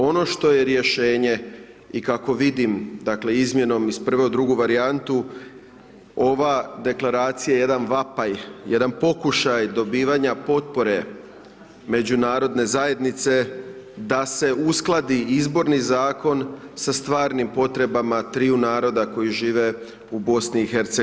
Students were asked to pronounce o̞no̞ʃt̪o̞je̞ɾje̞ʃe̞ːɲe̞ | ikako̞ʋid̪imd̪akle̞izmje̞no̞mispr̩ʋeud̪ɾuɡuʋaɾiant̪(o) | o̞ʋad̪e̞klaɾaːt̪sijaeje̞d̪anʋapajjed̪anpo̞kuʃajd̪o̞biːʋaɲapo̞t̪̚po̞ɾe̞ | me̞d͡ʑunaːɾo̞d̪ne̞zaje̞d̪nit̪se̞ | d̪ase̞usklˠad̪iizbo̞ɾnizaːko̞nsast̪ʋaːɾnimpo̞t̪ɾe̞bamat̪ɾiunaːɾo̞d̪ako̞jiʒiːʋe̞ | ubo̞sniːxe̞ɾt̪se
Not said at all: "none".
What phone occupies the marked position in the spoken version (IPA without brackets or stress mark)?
u